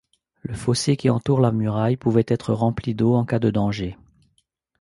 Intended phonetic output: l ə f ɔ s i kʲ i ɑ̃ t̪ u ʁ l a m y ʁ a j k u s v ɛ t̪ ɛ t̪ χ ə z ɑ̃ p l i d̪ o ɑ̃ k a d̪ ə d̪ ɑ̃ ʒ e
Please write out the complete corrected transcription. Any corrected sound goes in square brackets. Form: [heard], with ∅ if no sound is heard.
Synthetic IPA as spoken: l ə f ɔ s [e] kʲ i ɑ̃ t̪ u ʁ l a m y ʁ a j [p] u [∅] v ɛ t̪ ɛ t̪ χ ə [ʁ] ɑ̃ p l i d̪ o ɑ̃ k a d̪ ə d̪ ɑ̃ ʒ e